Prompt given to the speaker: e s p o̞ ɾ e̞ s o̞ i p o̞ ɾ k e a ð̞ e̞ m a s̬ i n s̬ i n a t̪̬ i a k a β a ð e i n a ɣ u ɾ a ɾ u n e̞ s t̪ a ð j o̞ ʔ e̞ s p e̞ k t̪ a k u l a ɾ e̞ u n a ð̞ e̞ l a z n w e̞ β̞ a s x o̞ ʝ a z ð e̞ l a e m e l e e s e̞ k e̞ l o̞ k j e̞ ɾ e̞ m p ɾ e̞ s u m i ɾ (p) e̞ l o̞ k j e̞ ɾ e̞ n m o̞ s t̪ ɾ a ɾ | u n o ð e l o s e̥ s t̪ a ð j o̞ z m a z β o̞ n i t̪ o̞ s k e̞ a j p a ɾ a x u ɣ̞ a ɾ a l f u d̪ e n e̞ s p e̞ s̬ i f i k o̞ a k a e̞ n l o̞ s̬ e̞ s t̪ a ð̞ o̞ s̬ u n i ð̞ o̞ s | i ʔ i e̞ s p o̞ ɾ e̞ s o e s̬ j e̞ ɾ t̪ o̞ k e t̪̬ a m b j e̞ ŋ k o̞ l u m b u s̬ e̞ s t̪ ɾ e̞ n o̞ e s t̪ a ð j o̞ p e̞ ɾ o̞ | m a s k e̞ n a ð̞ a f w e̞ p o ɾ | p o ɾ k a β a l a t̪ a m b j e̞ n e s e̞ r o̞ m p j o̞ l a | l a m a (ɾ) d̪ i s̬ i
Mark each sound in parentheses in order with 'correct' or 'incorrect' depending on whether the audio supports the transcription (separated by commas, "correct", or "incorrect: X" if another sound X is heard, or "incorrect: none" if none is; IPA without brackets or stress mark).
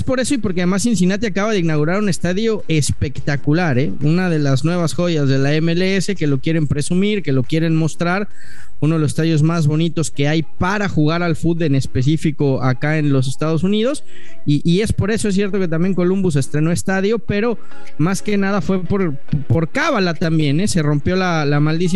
incorrect: k, incorrect: l